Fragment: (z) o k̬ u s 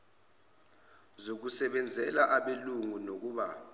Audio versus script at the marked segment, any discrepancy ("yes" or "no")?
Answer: no